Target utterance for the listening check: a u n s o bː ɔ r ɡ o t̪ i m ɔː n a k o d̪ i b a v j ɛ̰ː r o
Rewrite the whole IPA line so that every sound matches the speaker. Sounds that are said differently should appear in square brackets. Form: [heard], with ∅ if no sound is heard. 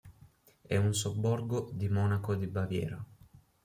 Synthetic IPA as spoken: [ɛ] u n s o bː ɔ r ɡ o [d̪] i m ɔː n a k o d̪ i b a v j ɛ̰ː [ɾ] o